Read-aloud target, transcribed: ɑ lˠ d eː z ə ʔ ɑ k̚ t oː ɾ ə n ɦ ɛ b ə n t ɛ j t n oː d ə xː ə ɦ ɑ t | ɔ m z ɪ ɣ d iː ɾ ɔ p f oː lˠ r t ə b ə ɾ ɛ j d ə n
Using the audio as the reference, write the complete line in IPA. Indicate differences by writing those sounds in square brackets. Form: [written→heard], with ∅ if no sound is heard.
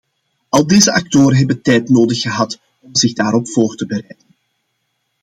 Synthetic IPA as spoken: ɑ lˠ d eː z ə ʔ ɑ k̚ t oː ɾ ə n ɦ ɛ b ə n t ɛ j t n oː d ə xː ə ɦ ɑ t | ɔ m z ɪ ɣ d [iː→aː] ɾ ɔ p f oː [lˠ→∅] r t ə b ə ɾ ɛ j d ə n